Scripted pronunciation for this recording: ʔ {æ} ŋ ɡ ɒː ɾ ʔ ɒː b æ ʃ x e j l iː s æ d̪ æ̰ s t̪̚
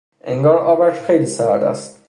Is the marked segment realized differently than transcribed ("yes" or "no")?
yes